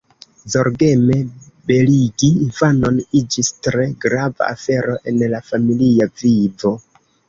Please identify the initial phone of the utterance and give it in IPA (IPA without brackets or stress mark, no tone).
z